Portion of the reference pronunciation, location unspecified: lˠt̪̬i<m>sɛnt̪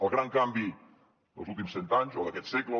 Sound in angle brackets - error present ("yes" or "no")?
no